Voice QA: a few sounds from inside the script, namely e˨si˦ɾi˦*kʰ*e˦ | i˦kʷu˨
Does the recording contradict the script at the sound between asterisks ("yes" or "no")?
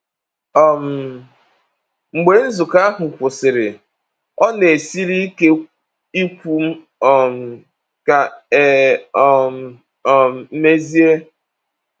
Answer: yes